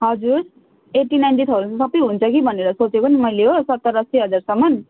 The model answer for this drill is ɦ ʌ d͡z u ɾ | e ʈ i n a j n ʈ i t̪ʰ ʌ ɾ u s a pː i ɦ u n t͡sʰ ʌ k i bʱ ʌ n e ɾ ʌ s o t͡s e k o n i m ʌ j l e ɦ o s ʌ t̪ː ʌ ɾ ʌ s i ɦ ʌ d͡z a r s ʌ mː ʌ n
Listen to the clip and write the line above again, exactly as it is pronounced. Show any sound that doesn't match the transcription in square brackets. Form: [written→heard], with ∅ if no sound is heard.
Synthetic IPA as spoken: ɦ ʌ d͡z u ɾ | e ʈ i n a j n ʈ i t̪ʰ ʌ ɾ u s [a→ʌ] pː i ɦ u n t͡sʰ ʌ k i bʱ ʌ n e ɾ ʌ s o t͡s e k o n i m ʌ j l e ɦ o s ʌ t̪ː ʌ ɾ ʌ s i ɦ ʌ d͡z a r s ʌ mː ʌ n